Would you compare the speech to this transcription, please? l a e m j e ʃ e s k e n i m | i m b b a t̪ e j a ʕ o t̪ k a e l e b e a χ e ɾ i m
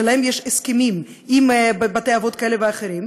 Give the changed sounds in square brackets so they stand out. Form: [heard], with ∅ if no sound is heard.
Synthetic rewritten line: l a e m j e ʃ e s k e [m] i m | i m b b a t̪ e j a [v] o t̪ k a e l e [v] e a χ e ɾ i m